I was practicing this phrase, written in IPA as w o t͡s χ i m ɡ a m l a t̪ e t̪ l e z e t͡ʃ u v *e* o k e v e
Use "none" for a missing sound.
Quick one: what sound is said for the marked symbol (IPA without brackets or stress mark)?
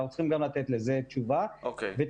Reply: a